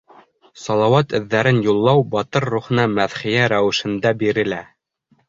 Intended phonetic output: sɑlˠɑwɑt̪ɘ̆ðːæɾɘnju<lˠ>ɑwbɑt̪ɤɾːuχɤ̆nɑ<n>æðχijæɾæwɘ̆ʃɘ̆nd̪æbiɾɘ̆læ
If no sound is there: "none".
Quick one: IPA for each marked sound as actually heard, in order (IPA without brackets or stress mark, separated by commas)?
lˠː, m